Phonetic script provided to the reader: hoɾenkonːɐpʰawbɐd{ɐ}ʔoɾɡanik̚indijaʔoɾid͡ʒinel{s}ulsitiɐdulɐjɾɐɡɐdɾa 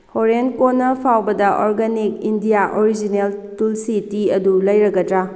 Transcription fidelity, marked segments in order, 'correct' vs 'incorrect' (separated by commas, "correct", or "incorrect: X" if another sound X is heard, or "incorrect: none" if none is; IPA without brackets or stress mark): correct, incorrect: t